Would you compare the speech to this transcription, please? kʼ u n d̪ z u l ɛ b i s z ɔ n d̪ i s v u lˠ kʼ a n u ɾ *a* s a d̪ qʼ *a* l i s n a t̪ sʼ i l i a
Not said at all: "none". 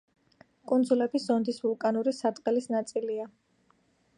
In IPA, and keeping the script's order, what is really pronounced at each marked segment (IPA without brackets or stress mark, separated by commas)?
i, ɛ